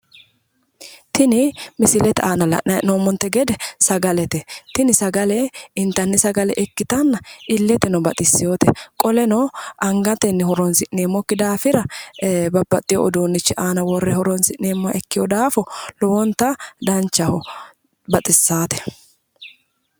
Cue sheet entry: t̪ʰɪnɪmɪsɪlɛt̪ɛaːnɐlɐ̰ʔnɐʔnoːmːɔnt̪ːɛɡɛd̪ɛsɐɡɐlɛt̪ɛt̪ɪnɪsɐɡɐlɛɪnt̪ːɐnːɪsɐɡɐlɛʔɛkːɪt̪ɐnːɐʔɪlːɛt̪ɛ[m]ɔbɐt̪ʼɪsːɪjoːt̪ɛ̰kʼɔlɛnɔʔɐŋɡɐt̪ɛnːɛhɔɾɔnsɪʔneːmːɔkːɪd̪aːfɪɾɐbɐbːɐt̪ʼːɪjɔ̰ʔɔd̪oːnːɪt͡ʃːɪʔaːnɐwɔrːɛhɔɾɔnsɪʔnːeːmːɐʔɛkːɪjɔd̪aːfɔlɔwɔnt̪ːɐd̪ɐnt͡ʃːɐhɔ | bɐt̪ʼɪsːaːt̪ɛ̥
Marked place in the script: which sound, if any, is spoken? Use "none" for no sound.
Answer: n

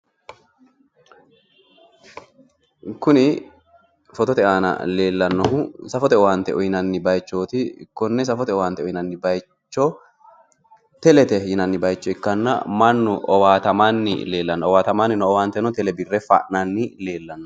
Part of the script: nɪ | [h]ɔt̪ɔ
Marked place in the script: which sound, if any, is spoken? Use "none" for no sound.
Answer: f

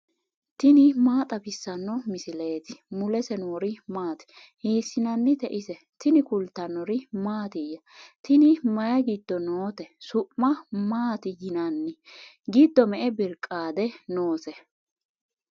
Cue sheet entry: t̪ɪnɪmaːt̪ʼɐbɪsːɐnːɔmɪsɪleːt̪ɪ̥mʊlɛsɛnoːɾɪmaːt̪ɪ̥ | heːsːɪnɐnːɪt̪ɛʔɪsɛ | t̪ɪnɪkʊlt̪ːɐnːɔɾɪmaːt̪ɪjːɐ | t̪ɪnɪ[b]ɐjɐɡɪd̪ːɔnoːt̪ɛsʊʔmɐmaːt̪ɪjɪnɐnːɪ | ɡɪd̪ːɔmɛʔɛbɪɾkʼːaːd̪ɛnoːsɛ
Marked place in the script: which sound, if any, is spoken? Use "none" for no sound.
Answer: m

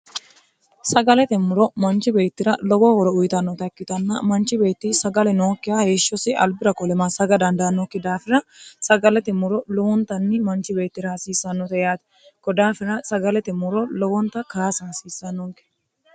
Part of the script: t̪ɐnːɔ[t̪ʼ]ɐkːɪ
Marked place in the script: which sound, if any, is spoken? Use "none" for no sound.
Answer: t̪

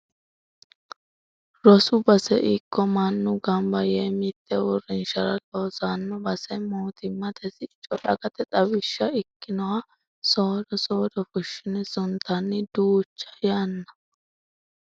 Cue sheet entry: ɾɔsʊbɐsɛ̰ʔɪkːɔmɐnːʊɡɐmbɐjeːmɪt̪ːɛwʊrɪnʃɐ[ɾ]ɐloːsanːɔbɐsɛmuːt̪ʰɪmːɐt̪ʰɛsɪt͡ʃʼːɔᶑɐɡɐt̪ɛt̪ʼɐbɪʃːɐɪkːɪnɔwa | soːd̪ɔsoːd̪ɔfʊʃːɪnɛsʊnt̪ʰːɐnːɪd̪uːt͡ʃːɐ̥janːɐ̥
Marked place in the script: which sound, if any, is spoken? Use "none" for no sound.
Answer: ɾ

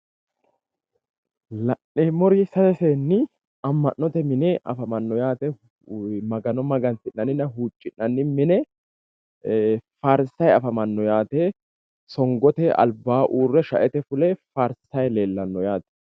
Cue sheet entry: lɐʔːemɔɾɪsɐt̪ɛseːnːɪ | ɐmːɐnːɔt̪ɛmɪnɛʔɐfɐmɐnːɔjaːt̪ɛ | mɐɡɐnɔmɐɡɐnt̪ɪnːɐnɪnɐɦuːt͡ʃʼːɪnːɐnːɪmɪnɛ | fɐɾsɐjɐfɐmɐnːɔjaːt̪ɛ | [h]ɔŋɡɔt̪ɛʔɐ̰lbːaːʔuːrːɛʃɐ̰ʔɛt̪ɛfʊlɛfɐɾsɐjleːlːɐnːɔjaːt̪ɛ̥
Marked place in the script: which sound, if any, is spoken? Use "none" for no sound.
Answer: s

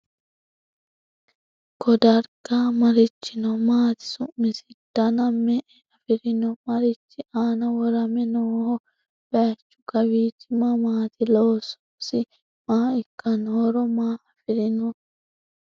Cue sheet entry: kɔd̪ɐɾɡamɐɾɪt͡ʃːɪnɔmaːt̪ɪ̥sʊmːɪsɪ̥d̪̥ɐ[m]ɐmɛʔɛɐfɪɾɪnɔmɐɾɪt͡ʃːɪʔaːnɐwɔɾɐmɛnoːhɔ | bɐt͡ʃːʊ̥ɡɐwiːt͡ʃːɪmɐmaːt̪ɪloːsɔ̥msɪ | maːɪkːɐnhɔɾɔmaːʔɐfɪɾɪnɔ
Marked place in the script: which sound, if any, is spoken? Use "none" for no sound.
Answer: n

